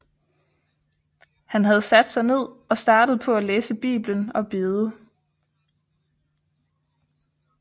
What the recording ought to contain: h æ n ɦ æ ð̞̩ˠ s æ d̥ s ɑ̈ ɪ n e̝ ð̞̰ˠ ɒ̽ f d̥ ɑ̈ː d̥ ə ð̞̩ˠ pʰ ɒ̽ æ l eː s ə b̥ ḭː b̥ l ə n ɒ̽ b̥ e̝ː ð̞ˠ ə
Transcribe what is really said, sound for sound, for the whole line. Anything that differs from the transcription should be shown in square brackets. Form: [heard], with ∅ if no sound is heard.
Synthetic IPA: h æ n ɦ æ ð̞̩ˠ s æ d̥ s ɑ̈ ɪ n e̝ ð̞̰ˠ ɒ̽ [s] d̥ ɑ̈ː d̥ ə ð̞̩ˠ pʰ ɒ̽ æ l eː s ə b̥ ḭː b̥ l ə n ɒ̽ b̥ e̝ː ð̞ˠ ə